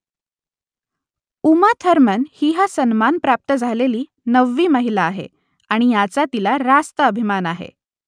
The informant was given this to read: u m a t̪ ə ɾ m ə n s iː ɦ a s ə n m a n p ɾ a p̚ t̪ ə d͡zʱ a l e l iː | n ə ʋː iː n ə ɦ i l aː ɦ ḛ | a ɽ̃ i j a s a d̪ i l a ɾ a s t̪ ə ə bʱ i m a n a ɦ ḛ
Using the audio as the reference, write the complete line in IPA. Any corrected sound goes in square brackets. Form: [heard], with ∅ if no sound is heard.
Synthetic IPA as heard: u m a [t̪ʰ] ə ɾ m ə n [h] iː ɦ a s ə n m a n p ɾ a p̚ t̪ ə d͡zʱ a l e l iː | n ə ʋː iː [m] ə ɦ i l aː ɦ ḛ | a ɽ̃ i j a [t͡s] a [t̪] i l a ɾ a s t̪ ə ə bʱ i m a n a ɦ ḛ